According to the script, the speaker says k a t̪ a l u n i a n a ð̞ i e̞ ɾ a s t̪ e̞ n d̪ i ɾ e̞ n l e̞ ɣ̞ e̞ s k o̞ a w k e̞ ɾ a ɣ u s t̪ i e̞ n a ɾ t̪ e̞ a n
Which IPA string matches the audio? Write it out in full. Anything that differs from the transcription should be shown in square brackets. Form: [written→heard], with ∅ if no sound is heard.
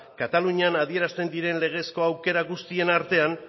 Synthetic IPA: k a t̪ a l u [n→ɲ] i a n a ð̞ i e̞ ɾ a s t̪ e̞ n d̪ i ɾ e̞ n l e̞ ɣ̞ e̞ s k o̞ a w k e̞ ɾ a ɣ u s t̪ i e̞ n a ɾ t̪ e̞ a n

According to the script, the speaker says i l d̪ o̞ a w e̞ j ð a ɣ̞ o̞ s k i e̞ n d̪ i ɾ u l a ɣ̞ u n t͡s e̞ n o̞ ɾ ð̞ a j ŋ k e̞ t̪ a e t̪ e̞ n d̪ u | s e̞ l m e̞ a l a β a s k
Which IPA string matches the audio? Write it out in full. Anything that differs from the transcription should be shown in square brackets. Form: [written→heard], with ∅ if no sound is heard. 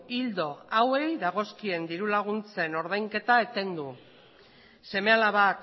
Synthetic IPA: i l d̪ o̞ a w e̞ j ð a ɣ̞ o̞ s k i e̞ n d̪ i ɾ u l a ɣ̞ u n t͡s e̞ n o̞ ɾ ð̞ a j ŋ k e̞ t̪ a e t̪ e̞ n d̪ u | s e̞ [l→∅] m e̞ a l a β a [s→∅] k

